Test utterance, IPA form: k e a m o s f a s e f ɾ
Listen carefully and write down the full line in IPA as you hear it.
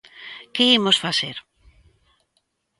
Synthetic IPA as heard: k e i m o s f a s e ɾ